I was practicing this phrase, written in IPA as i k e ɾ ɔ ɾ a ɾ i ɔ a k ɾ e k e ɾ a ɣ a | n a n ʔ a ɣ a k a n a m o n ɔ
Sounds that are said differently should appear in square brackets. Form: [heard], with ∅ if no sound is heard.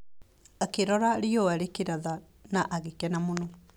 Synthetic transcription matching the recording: [a] k e ɾ ɔ ɾ a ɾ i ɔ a [∅] ɾ e k e ɾ a [ð] a | n a [∅] ʔ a ɣ [e] k [ɛ] n a m o n ɔ